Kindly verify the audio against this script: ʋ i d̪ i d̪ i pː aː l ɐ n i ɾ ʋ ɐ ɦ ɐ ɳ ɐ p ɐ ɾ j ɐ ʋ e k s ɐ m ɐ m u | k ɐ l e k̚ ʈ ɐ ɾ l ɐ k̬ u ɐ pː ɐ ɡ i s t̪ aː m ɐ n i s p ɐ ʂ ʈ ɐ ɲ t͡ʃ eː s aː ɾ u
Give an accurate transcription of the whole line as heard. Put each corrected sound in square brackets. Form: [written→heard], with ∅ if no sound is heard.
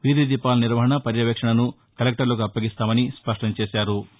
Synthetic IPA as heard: ʋ i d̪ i d̪ i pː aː l ɐ n i ɾ ʋ ɐ ɦ ɐ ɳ ɐ p ɐ ɾ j ɐ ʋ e k [s→ʂ] ɐ [m→ɳ] ɐ [m→n] u | k ɐ l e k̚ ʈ ɐ ɾ l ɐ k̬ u ɐ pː ɐ ɡ i s t̪ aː m ɐ n i s p ɐ ʂ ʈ ɐ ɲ t͡ʃ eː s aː ɾ u